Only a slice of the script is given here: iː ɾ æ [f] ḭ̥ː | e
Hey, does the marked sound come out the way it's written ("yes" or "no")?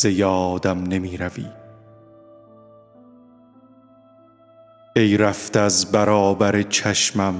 no